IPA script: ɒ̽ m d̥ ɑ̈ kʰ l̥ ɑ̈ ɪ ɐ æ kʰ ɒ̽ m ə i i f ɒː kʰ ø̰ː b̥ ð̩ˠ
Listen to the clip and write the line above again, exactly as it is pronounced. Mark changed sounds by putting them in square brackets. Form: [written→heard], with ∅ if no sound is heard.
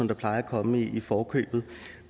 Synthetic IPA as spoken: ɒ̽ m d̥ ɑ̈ [kʰ→pʰ] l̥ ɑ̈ ɪ ɐ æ kʰ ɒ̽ m ə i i f ɒː kʰ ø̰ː b̥ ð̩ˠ